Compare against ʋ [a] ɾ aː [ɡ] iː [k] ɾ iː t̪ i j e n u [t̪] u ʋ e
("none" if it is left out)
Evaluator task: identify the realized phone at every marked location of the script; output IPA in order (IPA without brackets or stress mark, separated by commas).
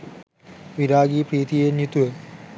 i, ɡ, p, t̪